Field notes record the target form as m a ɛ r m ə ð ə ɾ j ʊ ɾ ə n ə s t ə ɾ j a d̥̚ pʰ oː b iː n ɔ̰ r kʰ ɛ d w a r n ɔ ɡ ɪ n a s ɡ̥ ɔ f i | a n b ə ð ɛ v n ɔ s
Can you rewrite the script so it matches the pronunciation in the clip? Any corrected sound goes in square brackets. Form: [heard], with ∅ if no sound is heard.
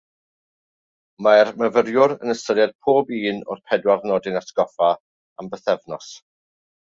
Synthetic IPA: m a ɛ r m ə [v] ə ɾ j ʊ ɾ ə n ə s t ə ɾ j a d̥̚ pʰ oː b iː n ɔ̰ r [pʰ] ɛ d w a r n ɔ [d] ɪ n a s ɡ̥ ɔ f [a] | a [m] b ə [θ] ɛ v n ɔ s